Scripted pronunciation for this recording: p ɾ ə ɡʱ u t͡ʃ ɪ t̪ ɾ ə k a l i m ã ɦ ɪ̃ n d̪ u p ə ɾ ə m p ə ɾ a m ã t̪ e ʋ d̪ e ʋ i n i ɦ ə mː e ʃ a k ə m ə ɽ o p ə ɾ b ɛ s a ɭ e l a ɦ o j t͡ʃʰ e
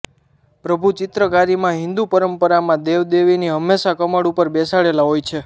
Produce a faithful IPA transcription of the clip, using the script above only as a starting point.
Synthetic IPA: p ɾ ə bʱ u t͡ʃ ɪ t̪ ɾ ə k a ɾ i m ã ɦ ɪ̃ n d̪ u p ə ɾ ə m p ə ɾ a m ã d̪ e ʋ d̪ e ʋ i n i ɦ ə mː e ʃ a k ə m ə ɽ u p ə ɾ b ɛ s a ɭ e l a ɦ o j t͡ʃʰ e